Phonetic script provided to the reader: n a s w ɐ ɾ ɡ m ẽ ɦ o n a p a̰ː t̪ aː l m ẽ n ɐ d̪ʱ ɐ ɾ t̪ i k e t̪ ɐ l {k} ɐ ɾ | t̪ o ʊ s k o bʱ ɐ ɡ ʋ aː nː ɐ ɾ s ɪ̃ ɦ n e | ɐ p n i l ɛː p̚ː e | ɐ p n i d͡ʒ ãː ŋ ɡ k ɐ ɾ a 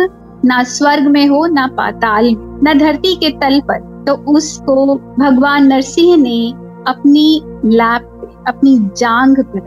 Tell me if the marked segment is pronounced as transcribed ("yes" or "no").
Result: no